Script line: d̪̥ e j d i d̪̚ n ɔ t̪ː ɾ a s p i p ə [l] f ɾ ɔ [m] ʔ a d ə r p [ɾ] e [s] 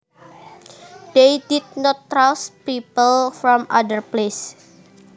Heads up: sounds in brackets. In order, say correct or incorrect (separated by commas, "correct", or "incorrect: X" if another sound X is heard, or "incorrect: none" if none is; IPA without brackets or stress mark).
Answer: correct, correct, incorrect: l, correct